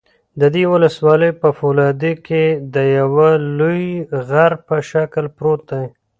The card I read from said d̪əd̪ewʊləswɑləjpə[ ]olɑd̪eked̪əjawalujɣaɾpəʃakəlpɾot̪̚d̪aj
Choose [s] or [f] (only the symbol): f